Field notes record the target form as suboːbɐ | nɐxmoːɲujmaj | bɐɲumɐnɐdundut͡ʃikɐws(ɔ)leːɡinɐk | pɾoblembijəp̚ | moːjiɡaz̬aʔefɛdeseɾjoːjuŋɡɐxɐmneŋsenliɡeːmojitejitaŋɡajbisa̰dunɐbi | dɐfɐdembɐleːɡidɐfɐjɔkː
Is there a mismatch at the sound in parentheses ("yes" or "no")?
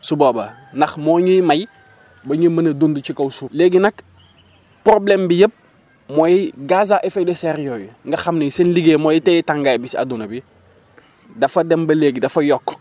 yes